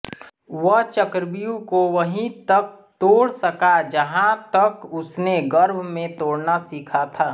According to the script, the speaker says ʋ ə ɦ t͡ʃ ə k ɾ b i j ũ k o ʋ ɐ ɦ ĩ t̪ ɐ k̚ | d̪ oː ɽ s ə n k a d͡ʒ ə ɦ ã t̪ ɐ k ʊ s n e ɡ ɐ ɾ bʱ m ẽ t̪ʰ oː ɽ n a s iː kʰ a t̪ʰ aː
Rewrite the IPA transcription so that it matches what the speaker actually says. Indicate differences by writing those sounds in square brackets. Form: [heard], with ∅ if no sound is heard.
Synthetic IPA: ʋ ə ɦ t͡ʃ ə k ɾ b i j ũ k o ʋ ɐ ɦ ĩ t̪ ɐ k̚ | [t̪] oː ɽ s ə [∅] k a d͡ʒ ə ɦ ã t̪ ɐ k ʊ s n e ɡ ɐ ɾ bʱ m ẽ [t̪] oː ɽ n a s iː kʰ a t̪ʰ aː